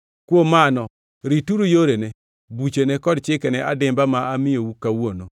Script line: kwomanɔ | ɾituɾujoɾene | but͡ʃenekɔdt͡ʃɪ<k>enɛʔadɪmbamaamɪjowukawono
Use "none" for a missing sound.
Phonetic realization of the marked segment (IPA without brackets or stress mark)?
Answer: k